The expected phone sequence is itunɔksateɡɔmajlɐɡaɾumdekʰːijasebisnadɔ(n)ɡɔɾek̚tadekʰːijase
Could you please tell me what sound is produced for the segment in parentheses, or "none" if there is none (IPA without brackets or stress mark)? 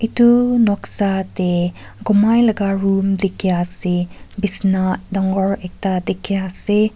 ŋ